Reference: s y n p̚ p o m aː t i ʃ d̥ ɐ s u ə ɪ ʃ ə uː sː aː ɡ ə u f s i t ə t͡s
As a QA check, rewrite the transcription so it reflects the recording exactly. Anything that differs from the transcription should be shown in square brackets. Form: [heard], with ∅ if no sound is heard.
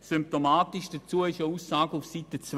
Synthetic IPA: s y [m] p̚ [t] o m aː t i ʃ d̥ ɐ [t͡s] u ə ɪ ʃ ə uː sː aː ɡ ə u f s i t ə t͡s